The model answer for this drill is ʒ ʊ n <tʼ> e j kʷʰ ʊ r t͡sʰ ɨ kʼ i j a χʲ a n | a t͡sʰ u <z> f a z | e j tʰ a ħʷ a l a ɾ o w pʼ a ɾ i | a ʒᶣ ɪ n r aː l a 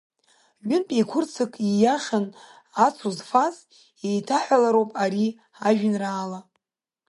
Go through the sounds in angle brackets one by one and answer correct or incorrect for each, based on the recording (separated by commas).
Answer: incorrect, correct